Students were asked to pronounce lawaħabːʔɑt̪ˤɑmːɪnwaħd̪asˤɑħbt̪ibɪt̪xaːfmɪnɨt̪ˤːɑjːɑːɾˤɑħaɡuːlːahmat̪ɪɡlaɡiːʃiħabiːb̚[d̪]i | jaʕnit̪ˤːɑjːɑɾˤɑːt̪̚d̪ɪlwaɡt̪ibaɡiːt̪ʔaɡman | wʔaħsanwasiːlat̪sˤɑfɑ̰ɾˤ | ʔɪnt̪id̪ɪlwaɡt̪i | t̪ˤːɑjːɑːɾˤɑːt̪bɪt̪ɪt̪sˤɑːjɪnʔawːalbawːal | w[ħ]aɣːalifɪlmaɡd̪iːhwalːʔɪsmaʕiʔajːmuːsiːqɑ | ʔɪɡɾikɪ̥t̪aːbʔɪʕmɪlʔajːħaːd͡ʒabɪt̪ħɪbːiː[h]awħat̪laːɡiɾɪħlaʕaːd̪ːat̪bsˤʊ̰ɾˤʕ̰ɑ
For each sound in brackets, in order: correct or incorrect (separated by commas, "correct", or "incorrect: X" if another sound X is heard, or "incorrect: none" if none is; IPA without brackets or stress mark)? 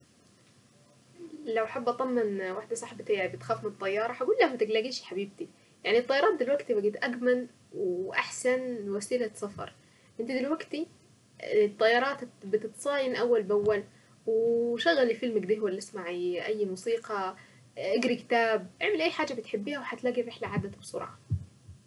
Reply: incorrect: t̪, incorrect: ʃ, correct